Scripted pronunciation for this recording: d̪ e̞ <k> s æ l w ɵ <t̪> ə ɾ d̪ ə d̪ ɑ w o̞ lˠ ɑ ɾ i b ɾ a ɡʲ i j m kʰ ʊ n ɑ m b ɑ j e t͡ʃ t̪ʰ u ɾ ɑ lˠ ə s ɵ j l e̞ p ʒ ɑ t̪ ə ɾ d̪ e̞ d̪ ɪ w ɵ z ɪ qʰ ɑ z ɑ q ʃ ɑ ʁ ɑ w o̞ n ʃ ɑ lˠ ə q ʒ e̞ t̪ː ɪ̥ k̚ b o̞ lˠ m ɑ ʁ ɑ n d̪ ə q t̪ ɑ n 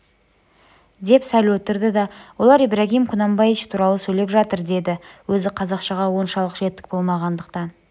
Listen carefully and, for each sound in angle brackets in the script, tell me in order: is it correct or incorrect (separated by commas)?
incorrect, correct